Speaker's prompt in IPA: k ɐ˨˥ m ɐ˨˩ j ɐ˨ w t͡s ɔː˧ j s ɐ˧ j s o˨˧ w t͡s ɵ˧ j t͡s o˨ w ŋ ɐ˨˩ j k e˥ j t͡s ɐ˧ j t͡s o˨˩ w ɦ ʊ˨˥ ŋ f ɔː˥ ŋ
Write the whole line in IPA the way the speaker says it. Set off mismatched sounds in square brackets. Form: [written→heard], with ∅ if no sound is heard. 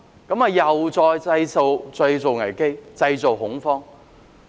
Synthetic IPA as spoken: k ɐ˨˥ m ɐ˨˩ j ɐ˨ w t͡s ɔː˧ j [s→t͡s] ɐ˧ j s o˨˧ w t͡s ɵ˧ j t͡s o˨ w ŋ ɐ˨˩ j k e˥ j t͡s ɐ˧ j t͡s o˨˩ w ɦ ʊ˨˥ ŋ f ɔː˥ ŋ